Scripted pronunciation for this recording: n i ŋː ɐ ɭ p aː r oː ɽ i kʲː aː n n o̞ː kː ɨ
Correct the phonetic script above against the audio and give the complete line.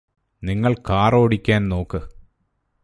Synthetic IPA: n i ŋː ɐ ɭ k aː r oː ɽ i kʲː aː n n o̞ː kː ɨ